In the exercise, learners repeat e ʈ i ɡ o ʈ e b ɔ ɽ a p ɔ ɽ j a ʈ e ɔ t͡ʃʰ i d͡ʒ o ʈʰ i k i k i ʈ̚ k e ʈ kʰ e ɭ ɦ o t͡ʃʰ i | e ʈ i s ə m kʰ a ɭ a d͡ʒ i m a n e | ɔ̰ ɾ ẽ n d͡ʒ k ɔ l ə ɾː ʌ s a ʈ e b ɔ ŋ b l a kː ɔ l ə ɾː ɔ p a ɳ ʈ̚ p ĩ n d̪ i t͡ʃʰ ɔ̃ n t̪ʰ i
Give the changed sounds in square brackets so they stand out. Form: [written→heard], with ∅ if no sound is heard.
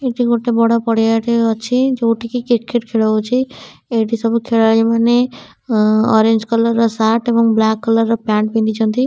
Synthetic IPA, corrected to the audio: e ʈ i ɡ o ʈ e b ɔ ɽ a p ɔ ɽ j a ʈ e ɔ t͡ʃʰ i d͡ʒ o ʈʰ i k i k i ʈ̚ k e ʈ kʰ e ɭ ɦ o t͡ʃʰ i | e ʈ i s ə [m→b] kʰ [a→e] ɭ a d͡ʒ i m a n e | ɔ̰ ɾ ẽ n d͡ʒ k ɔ l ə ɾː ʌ s a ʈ e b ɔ ŋ b l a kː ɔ l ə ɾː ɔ p a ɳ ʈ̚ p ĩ n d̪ i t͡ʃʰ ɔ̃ n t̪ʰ i